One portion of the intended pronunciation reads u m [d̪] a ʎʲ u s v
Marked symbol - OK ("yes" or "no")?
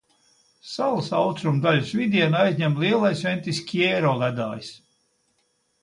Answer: yes